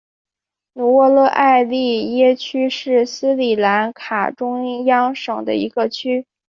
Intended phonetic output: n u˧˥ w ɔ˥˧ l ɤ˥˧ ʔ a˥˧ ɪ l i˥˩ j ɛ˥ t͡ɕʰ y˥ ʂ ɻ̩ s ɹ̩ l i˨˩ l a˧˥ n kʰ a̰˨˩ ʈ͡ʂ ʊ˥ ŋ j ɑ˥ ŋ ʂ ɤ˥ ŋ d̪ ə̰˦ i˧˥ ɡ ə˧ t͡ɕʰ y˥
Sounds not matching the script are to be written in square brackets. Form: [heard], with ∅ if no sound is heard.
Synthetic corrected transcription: n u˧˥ w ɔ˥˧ l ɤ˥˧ ʔ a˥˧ ɪ l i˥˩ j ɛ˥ t͡ɕʰ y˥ ʂ ɻ̩ s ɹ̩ l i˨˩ l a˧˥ n kʰ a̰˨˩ ʈ͡ʂ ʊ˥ ŋ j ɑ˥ ŋ ʂ [ɤ˨˩] ŋ d̪ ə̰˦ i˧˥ ɡ ə˧ t͡ɕʰ y˥